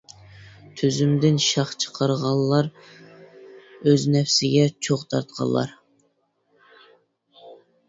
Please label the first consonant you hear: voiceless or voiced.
voiceless